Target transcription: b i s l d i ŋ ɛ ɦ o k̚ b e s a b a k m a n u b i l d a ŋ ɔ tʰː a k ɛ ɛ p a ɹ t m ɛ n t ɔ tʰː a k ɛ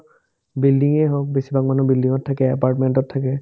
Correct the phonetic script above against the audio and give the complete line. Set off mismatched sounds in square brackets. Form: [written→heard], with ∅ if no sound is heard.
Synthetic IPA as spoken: b i [s→∅] l d i ŋ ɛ ɦ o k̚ b e s [a→i] b a k m a n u b i l d [a→i] ŋ ɔ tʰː a k ɛ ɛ p a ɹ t m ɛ n t ɔ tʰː a k ɛ

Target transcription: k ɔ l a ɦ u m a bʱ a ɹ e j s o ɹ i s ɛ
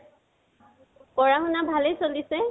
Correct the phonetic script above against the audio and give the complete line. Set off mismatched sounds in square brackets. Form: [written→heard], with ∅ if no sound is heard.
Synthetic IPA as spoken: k ɔ [l→ɹ] a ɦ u [m→n] a bʱ a [ɹ→l] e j s o [ɹ→l] i s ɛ

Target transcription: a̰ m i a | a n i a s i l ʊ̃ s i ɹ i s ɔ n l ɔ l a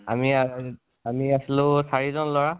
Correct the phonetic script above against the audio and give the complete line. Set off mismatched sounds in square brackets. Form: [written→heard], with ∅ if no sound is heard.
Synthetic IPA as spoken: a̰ m i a | a [n→m] i a s i l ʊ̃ s [i→a] ɹ i [s→z] ɔ n l ɔ [l→ɹ] a

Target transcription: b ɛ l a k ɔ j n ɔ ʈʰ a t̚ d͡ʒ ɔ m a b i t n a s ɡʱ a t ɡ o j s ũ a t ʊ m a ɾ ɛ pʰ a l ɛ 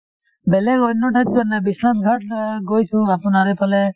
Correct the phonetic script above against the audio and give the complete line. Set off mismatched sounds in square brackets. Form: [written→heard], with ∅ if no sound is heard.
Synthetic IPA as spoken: b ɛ l [a→ɛ] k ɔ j n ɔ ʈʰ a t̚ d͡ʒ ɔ [m→n] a b i [t→s] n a s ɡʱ a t ɡ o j s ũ a [t→p] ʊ [m→n] a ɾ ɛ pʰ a l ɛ

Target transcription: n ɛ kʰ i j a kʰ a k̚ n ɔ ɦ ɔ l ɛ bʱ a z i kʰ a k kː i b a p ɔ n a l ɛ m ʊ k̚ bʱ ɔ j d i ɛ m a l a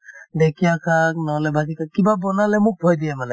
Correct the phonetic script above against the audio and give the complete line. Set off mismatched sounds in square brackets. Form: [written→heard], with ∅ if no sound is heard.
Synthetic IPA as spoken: [n→d] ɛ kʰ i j a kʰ a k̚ n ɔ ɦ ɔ l ɛ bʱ a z i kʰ a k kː i b a [p→b] ɔ n a l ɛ m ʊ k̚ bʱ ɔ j d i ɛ m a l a

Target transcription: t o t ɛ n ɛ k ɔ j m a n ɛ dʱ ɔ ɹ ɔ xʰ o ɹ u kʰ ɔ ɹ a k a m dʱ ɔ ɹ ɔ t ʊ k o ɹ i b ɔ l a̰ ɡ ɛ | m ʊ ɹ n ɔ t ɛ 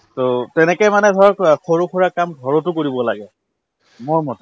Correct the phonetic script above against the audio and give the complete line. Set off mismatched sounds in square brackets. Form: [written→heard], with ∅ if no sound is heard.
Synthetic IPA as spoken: t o t ɛ n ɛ k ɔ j m a n ɛ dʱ ɔ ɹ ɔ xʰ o ɹ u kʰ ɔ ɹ a k a m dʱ ɔ ɹ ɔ t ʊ k o ɹ i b ɔ l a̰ ɡ ɛ | m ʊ ɹ [n→m] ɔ t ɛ

